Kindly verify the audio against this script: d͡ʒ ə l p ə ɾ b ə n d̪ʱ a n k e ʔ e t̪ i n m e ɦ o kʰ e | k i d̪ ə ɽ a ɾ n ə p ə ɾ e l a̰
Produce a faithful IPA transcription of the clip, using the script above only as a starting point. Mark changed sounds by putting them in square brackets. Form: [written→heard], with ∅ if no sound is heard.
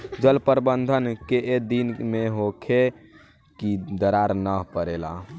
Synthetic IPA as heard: d͡ʒ ə l p ə ɾ b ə n d̪ʱ [a→ə] n k e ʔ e [t̪→d̪] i n m e ɦ o kʰ e | k i d̪ ə [ɽ→ɾ] a ɾ n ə p ə ɾ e l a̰